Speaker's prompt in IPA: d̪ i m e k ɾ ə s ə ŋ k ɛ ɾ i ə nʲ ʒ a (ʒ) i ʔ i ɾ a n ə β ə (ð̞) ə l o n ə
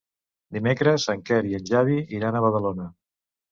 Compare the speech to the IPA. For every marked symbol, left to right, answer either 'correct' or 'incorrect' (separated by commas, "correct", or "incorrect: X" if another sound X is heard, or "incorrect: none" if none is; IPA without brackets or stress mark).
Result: incorrect: ð, correct